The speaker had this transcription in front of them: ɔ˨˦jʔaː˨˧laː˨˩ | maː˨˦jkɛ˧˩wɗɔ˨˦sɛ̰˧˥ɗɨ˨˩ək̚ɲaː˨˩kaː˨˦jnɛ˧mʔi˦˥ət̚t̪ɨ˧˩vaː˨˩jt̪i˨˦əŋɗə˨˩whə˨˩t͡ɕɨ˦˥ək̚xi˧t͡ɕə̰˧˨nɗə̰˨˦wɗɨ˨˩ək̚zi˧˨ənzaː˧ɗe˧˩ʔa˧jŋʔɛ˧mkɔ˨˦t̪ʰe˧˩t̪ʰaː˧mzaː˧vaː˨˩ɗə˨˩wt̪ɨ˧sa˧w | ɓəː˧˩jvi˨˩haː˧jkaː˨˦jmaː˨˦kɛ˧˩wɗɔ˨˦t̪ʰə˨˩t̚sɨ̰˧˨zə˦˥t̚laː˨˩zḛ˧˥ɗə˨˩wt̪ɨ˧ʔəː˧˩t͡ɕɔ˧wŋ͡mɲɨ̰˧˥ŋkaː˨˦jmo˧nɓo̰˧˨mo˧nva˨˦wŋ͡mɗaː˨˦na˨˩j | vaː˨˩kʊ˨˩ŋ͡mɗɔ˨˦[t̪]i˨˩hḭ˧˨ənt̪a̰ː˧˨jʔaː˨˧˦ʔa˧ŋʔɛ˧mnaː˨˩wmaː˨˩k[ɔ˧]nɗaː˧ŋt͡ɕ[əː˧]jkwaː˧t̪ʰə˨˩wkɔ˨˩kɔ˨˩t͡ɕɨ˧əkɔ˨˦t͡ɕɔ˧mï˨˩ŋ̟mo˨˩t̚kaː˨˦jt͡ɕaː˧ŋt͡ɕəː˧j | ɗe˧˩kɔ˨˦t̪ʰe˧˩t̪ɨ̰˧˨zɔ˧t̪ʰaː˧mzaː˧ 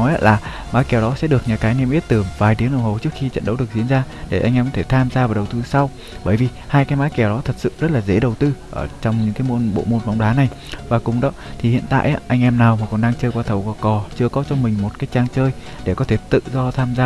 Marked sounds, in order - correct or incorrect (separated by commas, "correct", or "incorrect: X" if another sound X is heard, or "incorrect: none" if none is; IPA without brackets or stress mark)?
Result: incorrect: t̪ʰ, incorrect: ɔ˨˩, correct